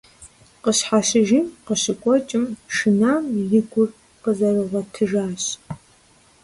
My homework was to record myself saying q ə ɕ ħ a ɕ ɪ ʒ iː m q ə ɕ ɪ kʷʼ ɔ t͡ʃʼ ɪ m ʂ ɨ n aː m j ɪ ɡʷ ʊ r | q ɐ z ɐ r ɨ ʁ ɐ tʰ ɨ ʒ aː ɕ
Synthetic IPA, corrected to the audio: q ə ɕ ħ a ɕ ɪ ʒ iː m q ə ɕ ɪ kʷʼ ɔ t͡ʃʼ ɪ m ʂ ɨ n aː m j ɪ ɡʷ ʊ r | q ə z ɐ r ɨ ʁ ɐ tʰ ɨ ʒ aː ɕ

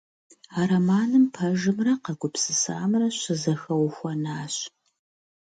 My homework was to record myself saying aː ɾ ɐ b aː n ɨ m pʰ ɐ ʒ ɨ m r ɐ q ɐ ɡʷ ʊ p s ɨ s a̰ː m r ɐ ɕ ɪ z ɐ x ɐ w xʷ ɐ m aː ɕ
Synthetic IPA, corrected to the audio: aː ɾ ɐ m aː n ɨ m pʰ ɐ ʒ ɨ m r ɐ q ɐ ɡʷ ʊ p s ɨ s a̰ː m r ɐ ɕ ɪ z ɐ x ɐ w xʷ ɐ n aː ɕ

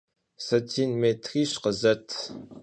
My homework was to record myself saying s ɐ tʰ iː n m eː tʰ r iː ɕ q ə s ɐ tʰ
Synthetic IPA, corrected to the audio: s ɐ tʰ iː n m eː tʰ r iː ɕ q ə z ɐ tʰ

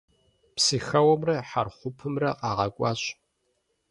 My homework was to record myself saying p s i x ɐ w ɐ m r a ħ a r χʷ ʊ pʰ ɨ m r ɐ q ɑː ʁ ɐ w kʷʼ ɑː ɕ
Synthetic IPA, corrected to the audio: p s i x ɐ w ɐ m r ɐ ħ a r χʷ ʊ pʰ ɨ m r ɐ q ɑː ʁ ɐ kʷʼ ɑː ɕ

